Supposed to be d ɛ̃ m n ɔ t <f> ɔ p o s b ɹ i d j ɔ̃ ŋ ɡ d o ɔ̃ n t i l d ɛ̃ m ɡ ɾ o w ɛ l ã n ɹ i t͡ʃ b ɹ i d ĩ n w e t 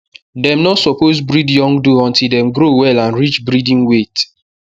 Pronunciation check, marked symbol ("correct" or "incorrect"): incorrect